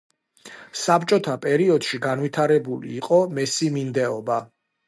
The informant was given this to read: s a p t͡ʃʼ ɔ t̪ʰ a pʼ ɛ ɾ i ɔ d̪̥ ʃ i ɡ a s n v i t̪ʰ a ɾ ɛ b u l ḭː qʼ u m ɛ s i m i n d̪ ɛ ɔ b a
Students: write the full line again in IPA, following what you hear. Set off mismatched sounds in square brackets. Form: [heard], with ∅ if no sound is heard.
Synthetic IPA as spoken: s a p t͡ʃʼ ɔ t̪ʰ a pʼ ɛ ɾ i ɔ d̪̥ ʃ i ɡ a [∅] n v i t̪ʰ a ɾ ɛ b u l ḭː qʼ [ɔ] m ɛ s i m i n d̪ ɛ ɔ b a